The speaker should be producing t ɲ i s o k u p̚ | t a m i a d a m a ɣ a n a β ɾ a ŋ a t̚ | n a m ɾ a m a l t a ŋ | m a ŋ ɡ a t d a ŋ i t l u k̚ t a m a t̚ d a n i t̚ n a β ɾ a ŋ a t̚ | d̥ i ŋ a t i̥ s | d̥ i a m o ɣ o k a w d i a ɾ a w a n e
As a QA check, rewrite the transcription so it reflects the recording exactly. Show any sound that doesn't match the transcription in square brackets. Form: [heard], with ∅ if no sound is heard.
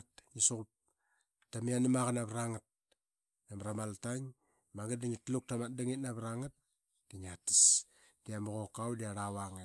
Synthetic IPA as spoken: t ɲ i s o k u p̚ | t a m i a [n] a m a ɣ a n a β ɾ a ŋ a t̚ | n a m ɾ a m a l t a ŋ | m a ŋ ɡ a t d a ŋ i t l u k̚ t a m a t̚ d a [ŋ] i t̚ n a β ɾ a ŋ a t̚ | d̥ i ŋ a t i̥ s | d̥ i a m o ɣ o k a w d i a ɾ a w a [ŋ] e